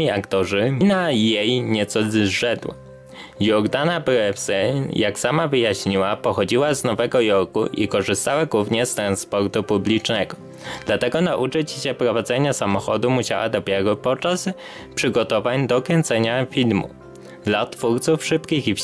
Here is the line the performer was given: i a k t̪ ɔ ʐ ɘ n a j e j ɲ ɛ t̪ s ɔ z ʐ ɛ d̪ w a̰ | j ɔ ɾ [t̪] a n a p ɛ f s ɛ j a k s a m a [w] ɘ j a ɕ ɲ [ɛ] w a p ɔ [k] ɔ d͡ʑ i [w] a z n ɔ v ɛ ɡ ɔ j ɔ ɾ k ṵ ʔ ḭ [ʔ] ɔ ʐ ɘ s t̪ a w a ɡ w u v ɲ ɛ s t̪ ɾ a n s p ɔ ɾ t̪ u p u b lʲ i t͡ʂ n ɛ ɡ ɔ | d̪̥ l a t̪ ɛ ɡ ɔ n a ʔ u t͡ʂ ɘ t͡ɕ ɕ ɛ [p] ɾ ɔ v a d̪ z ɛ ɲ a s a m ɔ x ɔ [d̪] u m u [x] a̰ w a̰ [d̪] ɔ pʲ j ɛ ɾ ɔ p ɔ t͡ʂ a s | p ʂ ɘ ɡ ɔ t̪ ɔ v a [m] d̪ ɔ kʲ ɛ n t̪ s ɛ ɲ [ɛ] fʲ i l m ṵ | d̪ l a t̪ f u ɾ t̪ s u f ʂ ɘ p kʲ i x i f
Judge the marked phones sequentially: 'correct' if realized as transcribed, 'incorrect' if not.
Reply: incorrect: d̪, incorrect: v, incorrect: i, incorrect: x, correct, incorrect: k, correct, correct, incorrect: ɕ, correct, incorrect: ɲ, incorrect: a

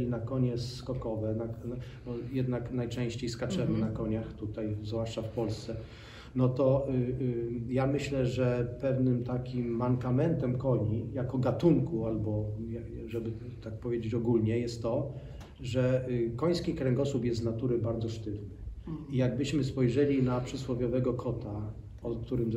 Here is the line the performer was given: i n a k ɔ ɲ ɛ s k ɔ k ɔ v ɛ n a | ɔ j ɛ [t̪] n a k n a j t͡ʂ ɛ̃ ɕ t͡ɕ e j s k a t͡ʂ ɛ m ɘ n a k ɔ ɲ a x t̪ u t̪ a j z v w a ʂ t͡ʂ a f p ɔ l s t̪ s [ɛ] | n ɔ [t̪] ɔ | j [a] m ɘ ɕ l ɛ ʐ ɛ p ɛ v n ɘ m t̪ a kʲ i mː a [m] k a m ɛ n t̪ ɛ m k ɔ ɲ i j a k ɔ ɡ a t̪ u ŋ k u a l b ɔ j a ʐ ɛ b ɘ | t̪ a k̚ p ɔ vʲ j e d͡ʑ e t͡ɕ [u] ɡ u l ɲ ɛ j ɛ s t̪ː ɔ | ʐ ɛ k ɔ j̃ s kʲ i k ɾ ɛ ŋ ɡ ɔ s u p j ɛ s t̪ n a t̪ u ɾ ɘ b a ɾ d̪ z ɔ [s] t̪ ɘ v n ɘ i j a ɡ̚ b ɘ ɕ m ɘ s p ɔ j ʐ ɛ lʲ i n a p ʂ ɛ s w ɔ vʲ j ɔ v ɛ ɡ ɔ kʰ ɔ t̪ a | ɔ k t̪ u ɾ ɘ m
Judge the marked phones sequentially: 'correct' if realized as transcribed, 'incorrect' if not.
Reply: incorrect: d̪, correct, correct, correct, incorrect: ŋ, incorrect: ɔ, incorrect: ʂ

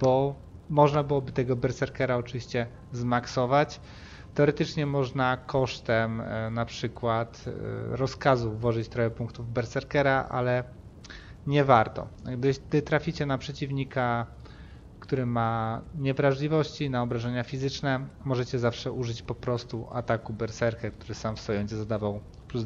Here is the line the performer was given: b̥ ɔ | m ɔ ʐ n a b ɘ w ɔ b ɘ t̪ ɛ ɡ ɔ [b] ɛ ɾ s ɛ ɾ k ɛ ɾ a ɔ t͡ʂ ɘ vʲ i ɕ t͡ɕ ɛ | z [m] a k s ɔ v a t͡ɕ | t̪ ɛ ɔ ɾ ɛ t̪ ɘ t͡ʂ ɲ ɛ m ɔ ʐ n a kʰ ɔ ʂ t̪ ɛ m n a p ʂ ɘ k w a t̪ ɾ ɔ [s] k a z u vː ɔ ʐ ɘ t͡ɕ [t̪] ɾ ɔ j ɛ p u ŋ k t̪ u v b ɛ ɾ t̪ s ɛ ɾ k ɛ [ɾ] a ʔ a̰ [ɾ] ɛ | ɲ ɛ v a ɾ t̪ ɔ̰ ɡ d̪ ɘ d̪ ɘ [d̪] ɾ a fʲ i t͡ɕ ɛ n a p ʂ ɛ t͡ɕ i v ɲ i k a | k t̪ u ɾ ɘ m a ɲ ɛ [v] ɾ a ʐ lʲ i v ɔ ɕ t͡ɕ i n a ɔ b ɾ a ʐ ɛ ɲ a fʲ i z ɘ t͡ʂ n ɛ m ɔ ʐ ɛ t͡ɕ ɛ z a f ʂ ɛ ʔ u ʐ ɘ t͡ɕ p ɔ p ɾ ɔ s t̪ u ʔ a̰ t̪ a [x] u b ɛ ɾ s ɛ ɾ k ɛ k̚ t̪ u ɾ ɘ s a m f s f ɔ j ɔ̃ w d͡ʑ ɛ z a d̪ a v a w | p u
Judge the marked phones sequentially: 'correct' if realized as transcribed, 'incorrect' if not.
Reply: correct, correct, correct, correct, correct, incorrect: l, incorrect: t̪, correct, incorrect: k

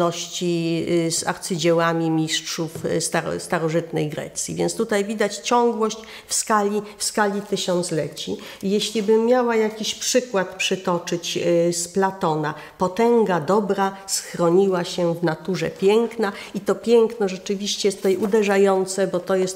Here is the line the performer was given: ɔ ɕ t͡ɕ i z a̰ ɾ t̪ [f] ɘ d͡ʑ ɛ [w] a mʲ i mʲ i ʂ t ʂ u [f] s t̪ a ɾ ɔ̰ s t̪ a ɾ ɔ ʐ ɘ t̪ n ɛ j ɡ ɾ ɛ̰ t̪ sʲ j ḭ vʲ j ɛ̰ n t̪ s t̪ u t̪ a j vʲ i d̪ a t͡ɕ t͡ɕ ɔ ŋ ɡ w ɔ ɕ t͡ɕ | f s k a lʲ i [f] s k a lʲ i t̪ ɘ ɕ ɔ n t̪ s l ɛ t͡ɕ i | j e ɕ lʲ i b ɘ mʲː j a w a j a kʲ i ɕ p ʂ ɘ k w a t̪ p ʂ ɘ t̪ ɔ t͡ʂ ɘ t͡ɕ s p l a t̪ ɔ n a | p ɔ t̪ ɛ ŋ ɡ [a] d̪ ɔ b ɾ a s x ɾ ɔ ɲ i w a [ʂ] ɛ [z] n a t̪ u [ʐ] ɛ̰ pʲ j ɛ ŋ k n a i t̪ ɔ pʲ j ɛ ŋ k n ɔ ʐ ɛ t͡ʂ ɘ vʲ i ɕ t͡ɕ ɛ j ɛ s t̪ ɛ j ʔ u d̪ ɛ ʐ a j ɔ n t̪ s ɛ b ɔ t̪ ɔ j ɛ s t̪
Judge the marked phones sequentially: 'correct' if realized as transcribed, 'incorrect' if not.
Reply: incorrect: s, correct, correct, correct, correct, incorrect: ɕ, incorrect: v, correct

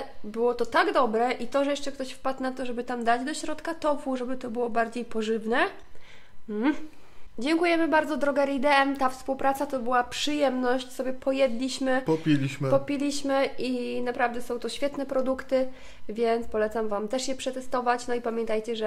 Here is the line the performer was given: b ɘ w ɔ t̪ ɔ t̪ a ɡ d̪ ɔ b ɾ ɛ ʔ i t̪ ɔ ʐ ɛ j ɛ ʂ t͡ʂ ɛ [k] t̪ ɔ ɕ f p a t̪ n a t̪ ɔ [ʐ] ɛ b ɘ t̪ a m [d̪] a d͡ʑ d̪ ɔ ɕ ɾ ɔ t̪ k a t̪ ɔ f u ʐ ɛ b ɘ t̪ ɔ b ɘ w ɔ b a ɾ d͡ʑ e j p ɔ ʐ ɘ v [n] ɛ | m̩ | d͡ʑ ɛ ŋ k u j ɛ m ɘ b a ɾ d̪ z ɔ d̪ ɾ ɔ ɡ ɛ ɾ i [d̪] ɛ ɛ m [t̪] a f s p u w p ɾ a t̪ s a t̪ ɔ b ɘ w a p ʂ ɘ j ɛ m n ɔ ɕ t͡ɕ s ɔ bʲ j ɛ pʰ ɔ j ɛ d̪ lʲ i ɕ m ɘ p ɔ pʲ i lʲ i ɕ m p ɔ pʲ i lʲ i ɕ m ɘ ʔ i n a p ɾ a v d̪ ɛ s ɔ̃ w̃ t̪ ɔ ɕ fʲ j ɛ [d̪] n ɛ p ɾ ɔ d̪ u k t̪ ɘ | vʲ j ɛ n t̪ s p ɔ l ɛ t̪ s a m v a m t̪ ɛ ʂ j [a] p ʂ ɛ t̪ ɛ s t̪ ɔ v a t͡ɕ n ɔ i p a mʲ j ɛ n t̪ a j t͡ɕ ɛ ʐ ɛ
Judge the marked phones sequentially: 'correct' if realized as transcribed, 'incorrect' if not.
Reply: correct, correct, correct, correct, correct, correct, incorrect: t̪, incorrect: ɛ

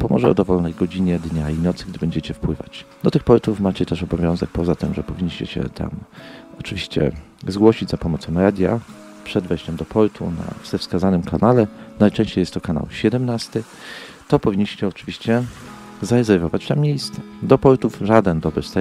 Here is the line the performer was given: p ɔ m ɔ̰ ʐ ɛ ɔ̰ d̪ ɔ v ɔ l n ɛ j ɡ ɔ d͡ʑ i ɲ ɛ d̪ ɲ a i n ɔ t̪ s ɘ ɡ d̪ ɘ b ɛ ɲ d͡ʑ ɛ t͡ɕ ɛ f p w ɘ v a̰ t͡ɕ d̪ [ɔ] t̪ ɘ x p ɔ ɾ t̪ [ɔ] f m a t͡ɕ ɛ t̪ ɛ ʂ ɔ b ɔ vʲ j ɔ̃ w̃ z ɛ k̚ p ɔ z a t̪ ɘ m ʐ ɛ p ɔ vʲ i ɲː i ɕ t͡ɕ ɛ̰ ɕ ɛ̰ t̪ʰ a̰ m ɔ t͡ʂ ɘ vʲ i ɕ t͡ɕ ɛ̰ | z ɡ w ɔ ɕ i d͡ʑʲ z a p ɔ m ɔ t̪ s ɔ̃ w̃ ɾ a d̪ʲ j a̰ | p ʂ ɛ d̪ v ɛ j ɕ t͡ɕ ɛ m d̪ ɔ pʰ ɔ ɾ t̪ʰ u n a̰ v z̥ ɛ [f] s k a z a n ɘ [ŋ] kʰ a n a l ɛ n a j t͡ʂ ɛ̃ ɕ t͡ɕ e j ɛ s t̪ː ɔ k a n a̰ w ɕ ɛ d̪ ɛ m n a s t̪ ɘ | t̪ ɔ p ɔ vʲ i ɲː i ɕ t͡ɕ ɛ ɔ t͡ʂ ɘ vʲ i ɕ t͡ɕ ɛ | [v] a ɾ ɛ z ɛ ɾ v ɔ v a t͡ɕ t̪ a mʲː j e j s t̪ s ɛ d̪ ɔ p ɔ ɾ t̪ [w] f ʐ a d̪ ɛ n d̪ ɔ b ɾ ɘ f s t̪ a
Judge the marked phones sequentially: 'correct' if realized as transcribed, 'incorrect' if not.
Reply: correct, incorrect: u, correct, incorrect: m, incorrect: z, incorrect: u

